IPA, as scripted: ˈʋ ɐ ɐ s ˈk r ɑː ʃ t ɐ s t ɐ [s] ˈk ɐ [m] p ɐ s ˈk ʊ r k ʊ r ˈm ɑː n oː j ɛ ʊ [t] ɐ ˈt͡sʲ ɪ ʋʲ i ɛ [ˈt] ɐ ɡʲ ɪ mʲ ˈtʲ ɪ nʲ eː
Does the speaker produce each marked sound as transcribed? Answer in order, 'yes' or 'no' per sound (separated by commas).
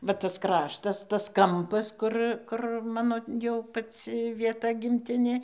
yes, yes, no, yes